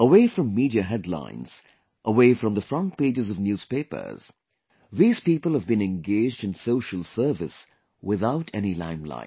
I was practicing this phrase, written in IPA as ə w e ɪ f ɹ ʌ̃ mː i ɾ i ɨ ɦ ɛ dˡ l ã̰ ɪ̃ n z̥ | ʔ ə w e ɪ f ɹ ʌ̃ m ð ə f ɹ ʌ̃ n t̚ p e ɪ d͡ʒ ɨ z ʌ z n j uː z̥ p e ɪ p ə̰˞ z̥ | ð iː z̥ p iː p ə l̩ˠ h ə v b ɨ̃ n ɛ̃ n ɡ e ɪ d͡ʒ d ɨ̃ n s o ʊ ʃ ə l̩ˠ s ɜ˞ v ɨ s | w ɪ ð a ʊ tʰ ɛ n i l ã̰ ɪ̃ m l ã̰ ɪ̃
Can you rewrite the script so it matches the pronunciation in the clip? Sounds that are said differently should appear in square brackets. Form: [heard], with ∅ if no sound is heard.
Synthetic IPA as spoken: ə w e ɪ f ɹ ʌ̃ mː i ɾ i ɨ ɦ ɛ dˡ l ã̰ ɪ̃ n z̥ | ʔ ə w e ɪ f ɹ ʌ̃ m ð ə f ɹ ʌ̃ n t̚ p e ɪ d͡ʒ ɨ z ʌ [v] n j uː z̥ p e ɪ p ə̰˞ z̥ | ð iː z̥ p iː p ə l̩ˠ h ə v b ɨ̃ n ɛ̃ n ɡ e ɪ d͡ʒ d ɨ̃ n s o ʊ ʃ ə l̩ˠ s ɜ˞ v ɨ s | w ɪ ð a ʊ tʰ ɛ n i l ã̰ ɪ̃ m l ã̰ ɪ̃